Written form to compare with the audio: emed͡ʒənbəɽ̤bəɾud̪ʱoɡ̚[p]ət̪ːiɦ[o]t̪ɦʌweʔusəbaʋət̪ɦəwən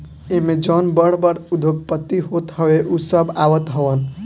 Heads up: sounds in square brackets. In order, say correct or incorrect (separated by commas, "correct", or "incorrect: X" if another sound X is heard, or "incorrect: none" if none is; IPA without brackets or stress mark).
correct, correct